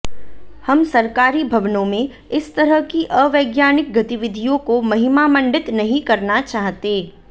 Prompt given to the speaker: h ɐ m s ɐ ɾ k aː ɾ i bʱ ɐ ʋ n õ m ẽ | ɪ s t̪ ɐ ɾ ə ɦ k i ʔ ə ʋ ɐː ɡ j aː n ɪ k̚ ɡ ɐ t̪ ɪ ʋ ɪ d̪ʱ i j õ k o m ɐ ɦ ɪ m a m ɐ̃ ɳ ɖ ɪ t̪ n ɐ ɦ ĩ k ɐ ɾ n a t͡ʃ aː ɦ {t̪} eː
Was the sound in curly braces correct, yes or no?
yes